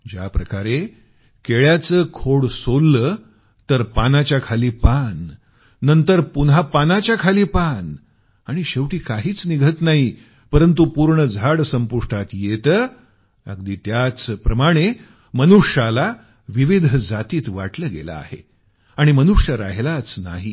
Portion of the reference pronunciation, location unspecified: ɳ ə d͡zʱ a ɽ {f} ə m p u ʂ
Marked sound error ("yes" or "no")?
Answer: yes